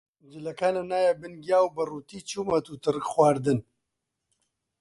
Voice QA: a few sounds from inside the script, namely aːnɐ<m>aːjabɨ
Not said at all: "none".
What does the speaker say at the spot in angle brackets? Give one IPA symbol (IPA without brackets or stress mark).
n